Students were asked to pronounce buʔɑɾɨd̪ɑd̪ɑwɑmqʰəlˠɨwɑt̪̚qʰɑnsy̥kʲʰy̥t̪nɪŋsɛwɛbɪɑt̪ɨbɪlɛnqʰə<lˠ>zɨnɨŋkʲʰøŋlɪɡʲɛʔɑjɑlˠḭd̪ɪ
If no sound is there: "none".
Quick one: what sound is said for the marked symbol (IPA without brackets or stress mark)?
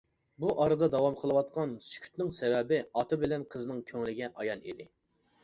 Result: none